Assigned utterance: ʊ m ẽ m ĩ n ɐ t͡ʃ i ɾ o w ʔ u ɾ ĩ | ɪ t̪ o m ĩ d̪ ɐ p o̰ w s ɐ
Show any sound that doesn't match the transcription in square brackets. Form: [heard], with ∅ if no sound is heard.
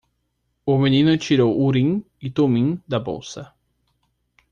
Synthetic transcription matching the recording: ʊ m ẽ [n] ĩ n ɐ t͡ʃ i ɾ o w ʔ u ɾ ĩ | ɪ t̪ o m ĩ d̪ ɐ [b] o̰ w s ɐ